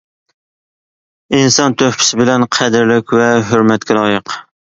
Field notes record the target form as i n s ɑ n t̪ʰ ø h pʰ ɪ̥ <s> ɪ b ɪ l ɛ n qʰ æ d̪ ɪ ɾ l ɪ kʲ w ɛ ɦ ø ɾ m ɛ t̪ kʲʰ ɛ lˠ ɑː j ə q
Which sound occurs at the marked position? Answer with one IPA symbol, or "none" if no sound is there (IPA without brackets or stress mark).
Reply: s